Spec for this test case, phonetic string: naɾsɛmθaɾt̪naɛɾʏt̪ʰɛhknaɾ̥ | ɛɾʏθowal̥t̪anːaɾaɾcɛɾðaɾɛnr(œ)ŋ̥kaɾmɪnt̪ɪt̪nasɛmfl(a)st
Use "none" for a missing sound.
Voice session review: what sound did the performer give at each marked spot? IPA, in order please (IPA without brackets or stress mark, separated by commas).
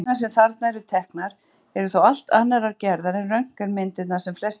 œ, ɛ